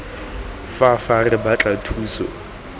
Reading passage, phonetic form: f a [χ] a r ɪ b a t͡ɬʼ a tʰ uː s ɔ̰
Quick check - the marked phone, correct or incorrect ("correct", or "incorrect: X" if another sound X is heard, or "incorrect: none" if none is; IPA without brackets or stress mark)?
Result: incorrect: f